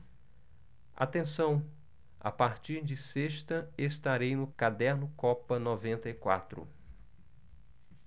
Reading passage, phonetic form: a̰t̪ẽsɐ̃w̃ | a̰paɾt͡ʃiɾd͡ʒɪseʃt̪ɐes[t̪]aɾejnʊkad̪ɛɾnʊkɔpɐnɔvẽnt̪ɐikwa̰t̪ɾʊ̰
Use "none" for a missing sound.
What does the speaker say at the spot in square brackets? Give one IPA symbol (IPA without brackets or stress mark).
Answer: t̪